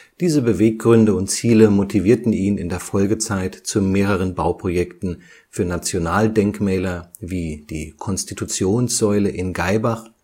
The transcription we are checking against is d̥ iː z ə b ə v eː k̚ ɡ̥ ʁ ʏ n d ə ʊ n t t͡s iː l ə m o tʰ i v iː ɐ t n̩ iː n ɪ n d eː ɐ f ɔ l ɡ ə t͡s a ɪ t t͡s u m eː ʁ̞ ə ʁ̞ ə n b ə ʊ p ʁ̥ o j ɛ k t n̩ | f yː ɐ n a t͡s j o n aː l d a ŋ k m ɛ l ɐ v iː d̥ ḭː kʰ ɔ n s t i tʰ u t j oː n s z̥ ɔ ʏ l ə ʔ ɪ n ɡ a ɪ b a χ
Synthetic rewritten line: d̥ iː z ə b ə v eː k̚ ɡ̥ ʁ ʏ n d ə ʊ n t t͡s iː l ə m o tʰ i v iː ɐ t n̩ iː n ɪ n d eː ɐ f ɔ l ɡ ə t͡s a ɪ t t͡s u m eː ʁ̞ ə ʁ̞ ə n b a ʊ p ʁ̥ o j ɛ k t n̩ | f yː ɐ n a t͡s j o n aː l d ɛ ŋ k m ɛː l ɐ v iː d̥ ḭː kʰ ɔ n s t i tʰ u t͡s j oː n s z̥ ɔ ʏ l ə ʔ ɪ n ɡ a ɪ b a χ

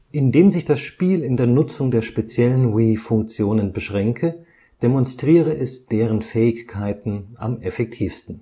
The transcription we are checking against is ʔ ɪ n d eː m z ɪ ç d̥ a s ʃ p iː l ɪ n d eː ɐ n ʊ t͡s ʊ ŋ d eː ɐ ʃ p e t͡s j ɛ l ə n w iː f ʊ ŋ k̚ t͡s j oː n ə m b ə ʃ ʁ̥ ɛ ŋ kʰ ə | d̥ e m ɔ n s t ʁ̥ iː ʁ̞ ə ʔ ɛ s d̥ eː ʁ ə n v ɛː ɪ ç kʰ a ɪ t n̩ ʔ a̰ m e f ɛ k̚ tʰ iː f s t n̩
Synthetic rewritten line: ʔ ɪ n d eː m z ɪ ç d̥ a s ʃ p iː l ɪ n d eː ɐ n ʊ t͡s ʊ ŋ d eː ɐ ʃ p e t͡s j ɛ l ə n w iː f ʊ ŋ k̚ t͡s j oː n ə n b ə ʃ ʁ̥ ɛ ŋ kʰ ə | d̥ e m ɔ n s t ʁ̥ iː ʁ̞ ə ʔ ɛ s d̥ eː ʁ ə n f ɛː ɪ ç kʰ a ɪ t n̩ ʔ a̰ m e f ɛ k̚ tʰ iː f s t n̩

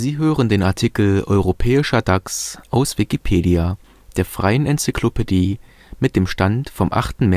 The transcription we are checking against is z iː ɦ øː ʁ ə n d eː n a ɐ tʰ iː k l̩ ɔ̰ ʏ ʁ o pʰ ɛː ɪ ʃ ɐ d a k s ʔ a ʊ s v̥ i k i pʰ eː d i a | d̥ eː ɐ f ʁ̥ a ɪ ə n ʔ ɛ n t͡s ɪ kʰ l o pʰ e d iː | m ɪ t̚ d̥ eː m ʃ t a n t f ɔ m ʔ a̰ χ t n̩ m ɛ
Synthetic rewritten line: z iː ɦ øː ʁ ə n d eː n a ɐ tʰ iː k l̩ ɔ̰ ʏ ʁ o pʰ ɛː ɪ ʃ ɐ d a k s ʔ a ʊ s v̥ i k i pʰ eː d i a | d̥ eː ɐ f ʁ̥ a ɪ ə n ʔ ɛ n t͡s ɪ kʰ l o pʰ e d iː | m ɪ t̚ d̥ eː m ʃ t a n t f ɔ m ʔ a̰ χ t n̩ m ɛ

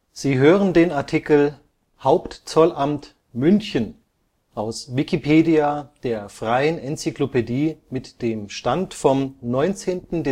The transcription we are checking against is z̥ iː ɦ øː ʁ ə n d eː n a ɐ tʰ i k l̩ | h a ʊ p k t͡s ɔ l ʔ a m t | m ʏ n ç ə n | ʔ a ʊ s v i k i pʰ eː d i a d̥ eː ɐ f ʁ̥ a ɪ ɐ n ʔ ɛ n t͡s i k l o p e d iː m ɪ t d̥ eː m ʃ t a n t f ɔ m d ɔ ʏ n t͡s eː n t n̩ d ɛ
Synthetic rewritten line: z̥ iː ɦ øː ʁ ə n d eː n a ɐ tʰ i k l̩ | h a ʊ p t t͡s ɔ l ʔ a m t | m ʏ n ç ə n | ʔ a ʊ s v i k i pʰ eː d i a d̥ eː ɐ f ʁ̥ a ɪ ə n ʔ ɛ n t͡s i k l o p e d iː m ɪ t d̥ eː m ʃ t a n t f ɔ m n ɔ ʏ n t͡s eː n t n̩ d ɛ

